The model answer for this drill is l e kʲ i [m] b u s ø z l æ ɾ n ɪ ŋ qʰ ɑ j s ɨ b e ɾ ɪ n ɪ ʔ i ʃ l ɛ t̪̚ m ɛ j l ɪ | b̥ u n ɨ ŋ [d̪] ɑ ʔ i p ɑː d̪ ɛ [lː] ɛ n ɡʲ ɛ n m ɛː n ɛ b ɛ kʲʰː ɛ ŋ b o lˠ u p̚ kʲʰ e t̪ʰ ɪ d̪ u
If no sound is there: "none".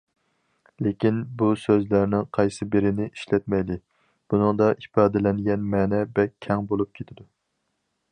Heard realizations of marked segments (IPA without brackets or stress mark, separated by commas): n, d̪, l